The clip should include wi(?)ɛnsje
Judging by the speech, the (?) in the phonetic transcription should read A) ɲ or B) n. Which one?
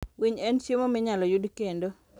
A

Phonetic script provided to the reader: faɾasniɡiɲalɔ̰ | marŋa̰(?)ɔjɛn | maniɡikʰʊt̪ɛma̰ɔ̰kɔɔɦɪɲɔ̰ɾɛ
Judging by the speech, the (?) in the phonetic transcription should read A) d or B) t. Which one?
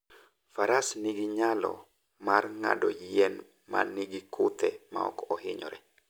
A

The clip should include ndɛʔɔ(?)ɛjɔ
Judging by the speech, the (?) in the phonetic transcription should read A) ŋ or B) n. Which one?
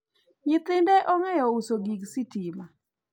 A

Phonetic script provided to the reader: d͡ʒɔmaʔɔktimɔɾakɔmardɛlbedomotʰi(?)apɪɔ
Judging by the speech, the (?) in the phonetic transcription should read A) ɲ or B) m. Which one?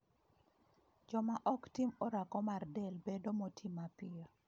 B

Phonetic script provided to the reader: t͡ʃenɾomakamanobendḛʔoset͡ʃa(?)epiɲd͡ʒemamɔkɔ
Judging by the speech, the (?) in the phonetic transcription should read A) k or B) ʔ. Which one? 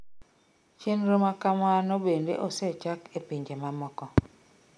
A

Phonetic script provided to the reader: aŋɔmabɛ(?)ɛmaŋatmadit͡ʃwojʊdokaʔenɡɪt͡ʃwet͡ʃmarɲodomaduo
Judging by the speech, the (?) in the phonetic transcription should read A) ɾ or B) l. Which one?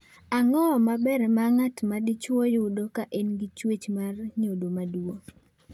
A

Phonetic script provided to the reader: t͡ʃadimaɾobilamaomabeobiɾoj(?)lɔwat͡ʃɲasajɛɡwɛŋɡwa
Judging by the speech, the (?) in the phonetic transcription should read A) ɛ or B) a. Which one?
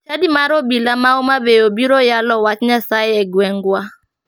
B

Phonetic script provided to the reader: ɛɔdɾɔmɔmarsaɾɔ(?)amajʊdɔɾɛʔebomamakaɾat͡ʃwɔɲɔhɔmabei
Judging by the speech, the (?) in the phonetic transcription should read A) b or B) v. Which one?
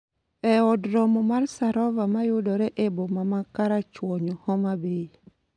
B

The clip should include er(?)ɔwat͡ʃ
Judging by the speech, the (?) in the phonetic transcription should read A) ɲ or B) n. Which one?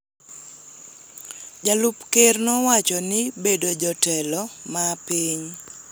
B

